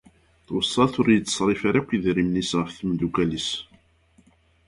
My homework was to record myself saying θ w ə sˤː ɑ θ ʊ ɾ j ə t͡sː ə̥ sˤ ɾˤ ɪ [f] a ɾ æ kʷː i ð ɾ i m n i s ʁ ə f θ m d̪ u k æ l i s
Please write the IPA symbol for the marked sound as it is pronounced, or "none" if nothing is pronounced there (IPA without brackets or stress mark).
f